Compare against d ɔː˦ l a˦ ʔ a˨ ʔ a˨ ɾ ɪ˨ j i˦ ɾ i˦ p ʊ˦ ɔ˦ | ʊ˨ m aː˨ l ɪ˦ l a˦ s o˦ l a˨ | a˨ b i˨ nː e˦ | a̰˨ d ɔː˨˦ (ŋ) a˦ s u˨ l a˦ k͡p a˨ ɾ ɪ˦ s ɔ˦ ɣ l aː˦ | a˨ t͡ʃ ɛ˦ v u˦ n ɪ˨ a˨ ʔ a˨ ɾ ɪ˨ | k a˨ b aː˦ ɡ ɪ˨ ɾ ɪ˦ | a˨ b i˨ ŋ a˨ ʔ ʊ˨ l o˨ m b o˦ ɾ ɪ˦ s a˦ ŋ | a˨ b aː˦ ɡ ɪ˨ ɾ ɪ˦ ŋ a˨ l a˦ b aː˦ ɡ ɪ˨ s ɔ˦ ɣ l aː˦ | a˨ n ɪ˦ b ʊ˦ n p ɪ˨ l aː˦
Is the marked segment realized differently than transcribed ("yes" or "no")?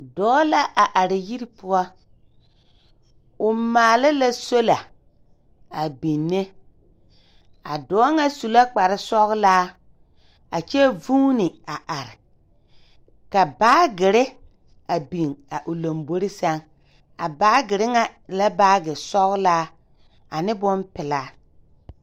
no